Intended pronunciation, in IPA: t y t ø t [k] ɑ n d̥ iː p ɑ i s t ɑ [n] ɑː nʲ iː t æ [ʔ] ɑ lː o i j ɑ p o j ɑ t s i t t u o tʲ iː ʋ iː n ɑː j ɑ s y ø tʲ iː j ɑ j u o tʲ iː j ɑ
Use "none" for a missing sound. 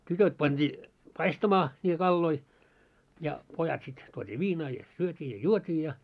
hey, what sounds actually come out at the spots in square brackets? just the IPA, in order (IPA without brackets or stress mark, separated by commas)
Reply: p, m, k